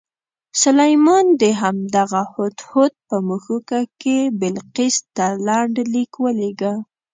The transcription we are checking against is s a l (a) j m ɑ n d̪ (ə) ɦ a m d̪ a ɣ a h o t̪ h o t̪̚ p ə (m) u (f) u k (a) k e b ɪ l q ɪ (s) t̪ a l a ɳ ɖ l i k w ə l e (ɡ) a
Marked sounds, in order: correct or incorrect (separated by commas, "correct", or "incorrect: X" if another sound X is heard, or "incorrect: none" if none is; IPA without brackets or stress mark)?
correct, correct, correct, incorrect: x, correct, correct, correct